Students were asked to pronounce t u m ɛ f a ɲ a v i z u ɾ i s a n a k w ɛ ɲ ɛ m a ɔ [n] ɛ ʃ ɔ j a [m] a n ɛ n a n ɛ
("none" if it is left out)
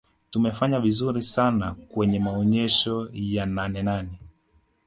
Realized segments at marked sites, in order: ɲ, n

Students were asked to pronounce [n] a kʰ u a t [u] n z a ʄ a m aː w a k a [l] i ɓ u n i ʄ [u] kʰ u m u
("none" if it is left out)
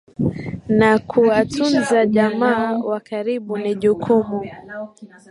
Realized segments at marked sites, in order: n, u, ɾ, u

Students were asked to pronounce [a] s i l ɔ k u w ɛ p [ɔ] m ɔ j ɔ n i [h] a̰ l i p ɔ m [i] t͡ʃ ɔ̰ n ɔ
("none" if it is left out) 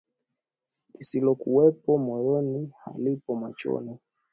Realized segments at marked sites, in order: i, ɔ, h, a

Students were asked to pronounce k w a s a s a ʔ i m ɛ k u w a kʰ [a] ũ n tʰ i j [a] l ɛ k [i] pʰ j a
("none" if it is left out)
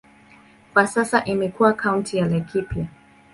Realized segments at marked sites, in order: a, a, i

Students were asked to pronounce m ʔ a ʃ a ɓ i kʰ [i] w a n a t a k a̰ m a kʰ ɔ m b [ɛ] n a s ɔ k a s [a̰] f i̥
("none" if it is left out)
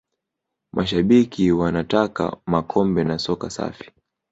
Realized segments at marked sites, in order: i, ɛ, a̰

